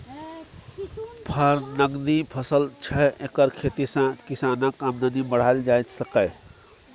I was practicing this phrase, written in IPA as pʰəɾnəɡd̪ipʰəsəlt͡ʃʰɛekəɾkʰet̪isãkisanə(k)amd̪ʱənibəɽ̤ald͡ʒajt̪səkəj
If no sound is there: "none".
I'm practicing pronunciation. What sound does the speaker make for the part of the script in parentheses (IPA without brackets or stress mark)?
k